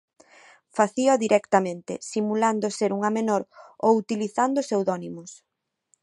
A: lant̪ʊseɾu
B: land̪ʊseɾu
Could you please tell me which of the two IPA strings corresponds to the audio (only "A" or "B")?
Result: B